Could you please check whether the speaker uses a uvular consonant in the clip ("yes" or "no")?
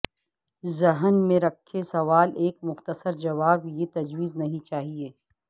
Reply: no